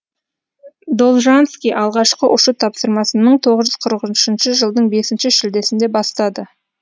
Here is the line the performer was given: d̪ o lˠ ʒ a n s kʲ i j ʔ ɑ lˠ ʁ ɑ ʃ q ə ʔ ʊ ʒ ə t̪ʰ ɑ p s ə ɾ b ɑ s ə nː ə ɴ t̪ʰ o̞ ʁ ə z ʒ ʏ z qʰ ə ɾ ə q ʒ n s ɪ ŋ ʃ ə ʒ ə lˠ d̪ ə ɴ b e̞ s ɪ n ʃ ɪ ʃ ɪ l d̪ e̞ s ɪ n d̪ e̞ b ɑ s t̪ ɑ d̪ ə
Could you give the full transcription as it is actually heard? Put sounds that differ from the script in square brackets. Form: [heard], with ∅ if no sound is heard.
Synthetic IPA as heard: d̪ o lˠ ʒ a n s kʲ i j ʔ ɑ lˠ ʁ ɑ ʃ q ə ʔ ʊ [ʃ] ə t̪ʰ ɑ p s ə ɾ [m] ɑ s ə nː ə ɴ t̪ʰ o̞ ʁ ə z ʒ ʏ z qʰ ə ɾ ə q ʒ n [ʃ] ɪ [n] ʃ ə ʒ ə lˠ d̪ ə ɴ b e̞ s ɪ n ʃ ɪ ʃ ɪ l d̪ e̞ s ɪ n d̪ e̞ b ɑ s t̪ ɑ d̪ ə